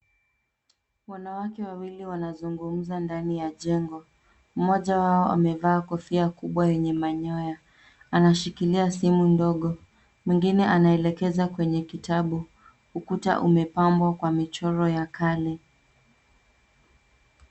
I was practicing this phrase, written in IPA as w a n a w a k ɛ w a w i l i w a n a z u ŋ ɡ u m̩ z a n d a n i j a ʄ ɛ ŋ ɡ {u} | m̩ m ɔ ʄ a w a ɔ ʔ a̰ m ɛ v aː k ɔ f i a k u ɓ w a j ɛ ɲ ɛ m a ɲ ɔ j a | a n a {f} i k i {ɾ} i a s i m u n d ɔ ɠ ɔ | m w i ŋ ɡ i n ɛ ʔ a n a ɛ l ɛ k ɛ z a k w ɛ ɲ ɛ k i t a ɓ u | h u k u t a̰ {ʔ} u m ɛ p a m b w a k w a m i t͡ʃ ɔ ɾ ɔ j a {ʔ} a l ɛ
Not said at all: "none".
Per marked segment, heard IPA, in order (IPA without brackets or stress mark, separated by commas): ɔ, ʃ, l, ʔ, k